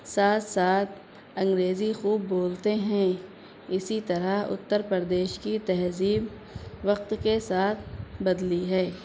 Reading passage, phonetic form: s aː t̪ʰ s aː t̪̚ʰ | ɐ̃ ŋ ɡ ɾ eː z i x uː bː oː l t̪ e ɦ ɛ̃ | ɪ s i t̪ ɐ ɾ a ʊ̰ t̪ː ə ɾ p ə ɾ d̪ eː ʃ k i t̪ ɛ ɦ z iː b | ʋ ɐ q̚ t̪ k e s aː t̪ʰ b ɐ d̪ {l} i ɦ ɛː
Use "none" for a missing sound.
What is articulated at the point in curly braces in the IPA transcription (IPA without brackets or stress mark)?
l